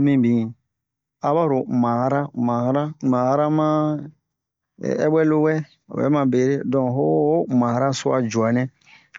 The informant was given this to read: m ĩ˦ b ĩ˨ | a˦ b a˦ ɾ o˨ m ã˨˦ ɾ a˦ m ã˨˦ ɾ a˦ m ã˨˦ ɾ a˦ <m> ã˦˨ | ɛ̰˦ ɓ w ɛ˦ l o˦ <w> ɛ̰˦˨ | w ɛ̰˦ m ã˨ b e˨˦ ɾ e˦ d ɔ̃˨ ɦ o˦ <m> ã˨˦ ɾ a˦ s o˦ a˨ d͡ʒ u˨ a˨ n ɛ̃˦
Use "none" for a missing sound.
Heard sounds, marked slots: m, w, m

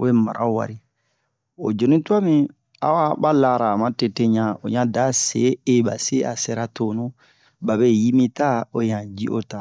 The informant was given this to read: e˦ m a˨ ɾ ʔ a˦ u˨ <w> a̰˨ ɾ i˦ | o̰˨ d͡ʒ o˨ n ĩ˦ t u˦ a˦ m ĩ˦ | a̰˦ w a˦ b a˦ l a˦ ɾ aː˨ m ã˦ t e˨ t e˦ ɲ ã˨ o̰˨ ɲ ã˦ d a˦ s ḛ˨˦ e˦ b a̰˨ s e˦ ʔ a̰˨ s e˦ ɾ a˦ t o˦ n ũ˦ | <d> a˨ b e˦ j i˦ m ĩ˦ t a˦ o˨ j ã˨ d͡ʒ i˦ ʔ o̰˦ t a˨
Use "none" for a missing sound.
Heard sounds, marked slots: w, b

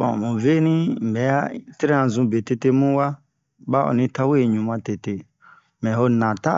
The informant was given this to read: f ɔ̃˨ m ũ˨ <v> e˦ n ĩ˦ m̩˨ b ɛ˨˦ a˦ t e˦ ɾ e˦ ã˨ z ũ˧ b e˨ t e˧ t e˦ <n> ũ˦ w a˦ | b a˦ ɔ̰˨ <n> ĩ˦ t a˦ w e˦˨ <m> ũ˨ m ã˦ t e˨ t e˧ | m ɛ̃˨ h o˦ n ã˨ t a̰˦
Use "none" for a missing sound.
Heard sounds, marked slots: v, m, n, ɲ

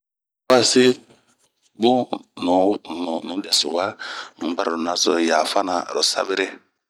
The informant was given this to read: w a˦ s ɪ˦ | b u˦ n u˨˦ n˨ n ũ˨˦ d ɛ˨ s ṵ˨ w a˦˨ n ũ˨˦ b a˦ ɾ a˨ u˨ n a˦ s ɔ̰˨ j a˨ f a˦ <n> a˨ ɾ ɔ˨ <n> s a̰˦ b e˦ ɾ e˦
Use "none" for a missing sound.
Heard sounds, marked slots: n, none

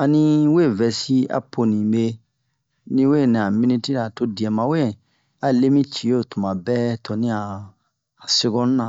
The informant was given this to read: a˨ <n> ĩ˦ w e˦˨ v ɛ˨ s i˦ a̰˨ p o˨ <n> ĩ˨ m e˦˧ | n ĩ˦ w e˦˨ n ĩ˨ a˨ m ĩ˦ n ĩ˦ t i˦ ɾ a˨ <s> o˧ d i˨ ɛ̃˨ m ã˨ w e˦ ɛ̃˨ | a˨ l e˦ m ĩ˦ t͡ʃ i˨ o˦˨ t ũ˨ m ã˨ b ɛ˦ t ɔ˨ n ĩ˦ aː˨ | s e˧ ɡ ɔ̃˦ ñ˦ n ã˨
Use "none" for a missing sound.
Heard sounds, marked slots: n, n, t

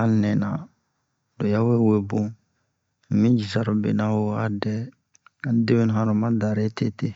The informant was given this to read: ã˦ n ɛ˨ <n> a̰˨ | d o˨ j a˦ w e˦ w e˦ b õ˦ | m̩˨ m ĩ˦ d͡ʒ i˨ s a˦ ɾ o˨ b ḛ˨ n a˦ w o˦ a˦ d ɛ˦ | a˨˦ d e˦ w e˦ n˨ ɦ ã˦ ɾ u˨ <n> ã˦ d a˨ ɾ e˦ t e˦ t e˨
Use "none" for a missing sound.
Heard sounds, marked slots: n, m

